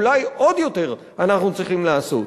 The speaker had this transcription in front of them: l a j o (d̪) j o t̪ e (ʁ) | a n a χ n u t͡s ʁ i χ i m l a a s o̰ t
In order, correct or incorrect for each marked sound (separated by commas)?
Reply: correct, correct